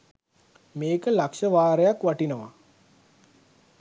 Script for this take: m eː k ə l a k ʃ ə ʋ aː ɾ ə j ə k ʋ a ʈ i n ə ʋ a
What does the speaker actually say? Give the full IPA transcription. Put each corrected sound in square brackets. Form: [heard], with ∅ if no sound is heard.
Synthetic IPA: m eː k ə l a k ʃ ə ʋ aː ɾ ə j [a] k ʋ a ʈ i n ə ʋ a